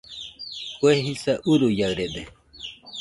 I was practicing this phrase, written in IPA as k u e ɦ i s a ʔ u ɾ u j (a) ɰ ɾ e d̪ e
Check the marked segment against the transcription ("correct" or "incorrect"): correct